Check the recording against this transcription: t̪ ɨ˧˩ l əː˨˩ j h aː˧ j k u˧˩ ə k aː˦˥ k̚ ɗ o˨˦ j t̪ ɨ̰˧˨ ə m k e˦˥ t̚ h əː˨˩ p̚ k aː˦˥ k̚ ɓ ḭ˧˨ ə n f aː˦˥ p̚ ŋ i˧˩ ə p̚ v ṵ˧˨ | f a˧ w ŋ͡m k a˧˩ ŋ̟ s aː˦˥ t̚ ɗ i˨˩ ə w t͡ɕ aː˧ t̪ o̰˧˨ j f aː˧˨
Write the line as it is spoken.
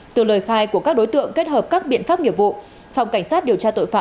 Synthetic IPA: t̪ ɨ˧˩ l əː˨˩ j x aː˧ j k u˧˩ ə k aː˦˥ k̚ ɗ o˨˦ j t̪ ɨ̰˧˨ ə ŋ k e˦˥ t̚ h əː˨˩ p̚ k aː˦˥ k̚ ɓ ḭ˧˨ ə n f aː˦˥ p̚ ŋ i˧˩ ə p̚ v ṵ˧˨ | f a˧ w ŋ͡m k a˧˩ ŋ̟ s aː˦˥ t̚ ɗ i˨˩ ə w t͡ɕ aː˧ t̪ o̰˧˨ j f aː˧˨